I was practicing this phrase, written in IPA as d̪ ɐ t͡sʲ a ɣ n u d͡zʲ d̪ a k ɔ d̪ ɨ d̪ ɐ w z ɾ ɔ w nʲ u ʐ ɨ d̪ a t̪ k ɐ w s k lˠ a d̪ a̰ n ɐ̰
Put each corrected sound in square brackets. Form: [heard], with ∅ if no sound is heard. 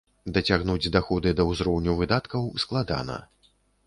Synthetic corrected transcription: d̪ ɐ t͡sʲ a ɣ n u d͡zʲ d̪ a [x] ɔ d̪ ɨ d̪ ɐ w z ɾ ɔ w nʲ u [v] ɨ d̪ a t̪ k ɐ w s k lˠ a d̪ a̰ n ɐ̰